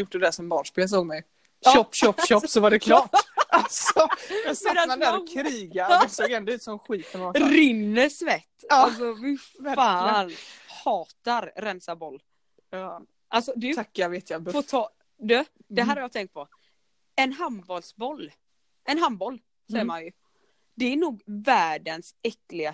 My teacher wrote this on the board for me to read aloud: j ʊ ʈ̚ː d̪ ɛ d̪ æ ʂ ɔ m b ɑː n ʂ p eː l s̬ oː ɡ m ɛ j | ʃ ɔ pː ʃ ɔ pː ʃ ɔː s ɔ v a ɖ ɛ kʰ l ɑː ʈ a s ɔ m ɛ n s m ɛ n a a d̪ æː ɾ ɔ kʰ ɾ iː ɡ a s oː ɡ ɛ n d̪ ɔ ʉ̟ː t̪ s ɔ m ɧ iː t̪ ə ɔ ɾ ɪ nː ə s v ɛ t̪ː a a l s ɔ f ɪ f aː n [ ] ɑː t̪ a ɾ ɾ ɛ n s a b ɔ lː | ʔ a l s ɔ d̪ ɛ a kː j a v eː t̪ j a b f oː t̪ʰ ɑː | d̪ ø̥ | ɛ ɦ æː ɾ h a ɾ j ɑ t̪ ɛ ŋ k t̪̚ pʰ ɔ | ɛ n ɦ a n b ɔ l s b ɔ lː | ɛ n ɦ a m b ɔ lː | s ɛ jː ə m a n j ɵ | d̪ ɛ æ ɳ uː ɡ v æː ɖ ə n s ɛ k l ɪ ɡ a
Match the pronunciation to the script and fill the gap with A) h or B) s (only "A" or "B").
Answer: A